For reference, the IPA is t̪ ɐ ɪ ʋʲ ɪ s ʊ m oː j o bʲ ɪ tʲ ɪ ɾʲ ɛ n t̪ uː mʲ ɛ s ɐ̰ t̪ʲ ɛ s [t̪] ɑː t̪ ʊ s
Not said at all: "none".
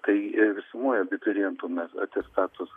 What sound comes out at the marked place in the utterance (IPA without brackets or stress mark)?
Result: t̪